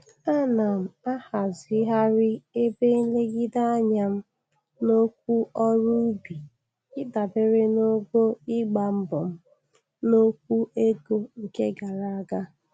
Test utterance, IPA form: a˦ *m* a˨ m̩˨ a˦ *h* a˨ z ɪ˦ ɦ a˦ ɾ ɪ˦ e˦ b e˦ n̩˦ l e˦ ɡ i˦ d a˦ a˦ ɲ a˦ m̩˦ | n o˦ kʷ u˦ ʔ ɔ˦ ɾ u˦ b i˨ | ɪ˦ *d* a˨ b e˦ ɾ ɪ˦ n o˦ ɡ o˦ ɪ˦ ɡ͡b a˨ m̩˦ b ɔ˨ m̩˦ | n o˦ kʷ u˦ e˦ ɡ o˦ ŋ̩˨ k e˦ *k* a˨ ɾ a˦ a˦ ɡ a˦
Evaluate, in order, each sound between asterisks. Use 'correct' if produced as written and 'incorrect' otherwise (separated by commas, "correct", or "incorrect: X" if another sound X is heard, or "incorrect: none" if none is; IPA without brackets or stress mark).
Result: incorrect: n, correct, correct, incorrect: ɡ